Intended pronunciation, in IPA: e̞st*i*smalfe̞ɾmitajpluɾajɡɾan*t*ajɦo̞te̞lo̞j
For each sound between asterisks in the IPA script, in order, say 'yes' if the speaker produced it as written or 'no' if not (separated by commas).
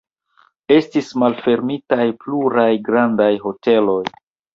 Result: yes, no